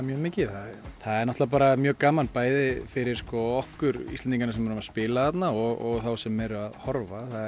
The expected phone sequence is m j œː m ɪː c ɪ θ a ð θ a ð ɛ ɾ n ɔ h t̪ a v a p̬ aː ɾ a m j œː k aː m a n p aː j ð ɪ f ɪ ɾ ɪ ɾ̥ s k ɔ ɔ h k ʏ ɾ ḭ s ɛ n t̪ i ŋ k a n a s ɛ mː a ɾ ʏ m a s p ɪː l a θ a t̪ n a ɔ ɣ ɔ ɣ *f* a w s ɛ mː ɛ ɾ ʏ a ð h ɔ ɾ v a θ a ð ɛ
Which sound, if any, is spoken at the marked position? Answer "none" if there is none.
θ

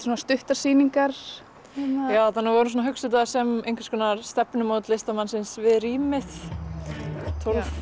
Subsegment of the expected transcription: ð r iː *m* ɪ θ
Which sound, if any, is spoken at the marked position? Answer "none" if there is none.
m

